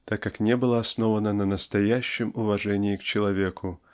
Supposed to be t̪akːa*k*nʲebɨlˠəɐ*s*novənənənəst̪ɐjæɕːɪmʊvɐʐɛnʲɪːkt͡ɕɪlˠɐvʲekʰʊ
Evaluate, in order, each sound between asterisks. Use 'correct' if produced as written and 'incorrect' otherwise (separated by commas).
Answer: correct, correct